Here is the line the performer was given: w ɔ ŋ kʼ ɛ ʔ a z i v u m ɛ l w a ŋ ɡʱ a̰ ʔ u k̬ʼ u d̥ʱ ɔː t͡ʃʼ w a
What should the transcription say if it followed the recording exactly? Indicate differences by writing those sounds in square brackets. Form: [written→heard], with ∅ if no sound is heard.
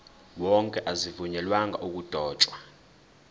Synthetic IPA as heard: w ɔ ŋ kʼ ɛ ʔ a z i v u [m→ɲ] ɛ l w a ŋ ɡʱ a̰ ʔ u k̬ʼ u d̥ʱ ɔː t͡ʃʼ w a